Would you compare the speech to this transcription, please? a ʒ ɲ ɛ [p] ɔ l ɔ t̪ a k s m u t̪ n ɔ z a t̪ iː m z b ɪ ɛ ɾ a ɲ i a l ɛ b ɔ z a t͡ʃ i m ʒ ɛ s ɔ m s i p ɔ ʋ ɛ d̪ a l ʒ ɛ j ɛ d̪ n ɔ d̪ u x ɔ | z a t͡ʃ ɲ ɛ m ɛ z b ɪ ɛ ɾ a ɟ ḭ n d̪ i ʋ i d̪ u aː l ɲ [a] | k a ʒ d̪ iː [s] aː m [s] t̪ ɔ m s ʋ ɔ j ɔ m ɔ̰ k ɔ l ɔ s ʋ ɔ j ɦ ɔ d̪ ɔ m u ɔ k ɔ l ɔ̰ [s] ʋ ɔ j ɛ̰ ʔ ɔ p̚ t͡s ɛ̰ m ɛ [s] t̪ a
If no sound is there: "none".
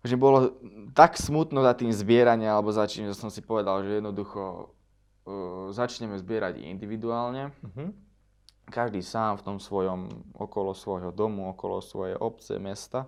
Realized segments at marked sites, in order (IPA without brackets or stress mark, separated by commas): b, ɛ, s, f, s, s